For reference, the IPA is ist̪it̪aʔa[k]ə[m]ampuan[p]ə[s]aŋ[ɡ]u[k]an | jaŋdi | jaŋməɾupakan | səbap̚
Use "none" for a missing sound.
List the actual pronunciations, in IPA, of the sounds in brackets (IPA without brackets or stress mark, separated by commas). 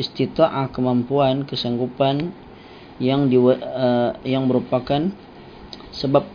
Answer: k, m, k, s, ɡ, p